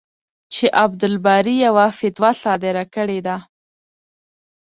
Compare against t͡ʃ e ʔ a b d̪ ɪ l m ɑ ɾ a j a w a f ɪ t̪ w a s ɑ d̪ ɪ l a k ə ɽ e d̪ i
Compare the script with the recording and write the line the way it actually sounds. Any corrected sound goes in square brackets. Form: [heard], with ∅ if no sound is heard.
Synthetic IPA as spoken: t͡ʃ e ʔ a b d̪ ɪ l [b] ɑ ɾ [i] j a w a f ɪ t̪ w a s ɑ d̪ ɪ [ɾ] a k ə ɽ e d̪ [a]